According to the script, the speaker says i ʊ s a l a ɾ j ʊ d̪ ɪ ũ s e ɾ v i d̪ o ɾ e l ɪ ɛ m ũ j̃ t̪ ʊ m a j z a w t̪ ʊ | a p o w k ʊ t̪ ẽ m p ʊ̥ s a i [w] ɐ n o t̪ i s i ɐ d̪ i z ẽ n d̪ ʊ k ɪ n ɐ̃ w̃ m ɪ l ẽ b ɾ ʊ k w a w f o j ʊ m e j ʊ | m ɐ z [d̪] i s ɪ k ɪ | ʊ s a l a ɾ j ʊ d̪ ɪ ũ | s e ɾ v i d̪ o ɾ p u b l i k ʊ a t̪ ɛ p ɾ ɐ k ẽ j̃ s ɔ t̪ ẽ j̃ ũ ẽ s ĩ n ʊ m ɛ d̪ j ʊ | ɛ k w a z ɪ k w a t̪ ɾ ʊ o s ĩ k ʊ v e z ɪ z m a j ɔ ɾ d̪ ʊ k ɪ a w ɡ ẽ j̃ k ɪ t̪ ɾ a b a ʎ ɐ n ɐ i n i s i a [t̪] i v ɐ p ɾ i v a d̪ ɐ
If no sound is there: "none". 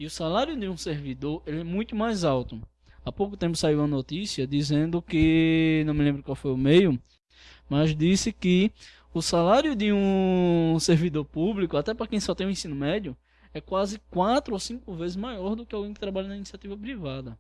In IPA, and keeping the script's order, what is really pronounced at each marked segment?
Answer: w, d̪, t̪

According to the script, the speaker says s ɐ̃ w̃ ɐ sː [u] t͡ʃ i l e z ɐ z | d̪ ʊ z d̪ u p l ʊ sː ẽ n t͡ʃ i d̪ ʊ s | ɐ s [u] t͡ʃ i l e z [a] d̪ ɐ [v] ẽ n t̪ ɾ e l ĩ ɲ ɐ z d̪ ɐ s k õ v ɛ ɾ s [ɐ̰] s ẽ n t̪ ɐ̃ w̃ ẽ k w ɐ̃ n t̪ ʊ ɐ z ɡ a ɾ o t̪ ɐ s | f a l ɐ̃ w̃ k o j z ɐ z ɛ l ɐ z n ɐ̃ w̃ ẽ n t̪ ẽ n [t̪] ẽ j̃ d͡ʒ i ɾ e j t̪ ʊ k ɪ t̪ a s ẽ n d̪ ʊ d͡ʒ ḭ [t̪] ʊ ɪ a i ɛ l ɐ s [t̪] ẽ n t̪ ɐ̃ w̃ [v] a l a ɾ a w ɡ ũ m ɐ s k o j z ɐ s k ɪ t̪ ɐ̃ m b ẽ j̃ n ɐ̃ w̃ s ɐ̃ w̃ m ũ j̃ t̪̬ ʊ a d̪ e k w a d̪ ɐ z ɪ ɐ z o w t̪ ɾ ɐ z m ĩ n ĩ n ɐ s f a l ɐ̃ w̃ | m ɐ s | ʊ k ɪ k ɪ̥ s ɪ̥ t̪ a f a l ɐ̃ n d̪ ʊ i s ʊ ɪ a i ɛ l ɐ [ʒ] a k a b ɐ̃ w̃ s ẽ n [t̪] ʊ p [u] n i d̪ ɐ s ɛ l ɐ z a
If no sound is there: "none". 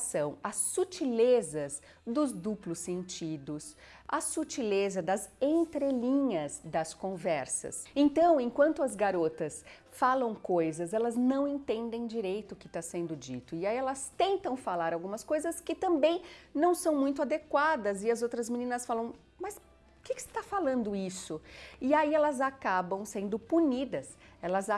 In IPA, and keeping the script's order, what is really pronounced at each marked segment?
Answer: u, u, ɐ, z, ɐ̰, d̪, t̪, t̪, f, z, d̪, u

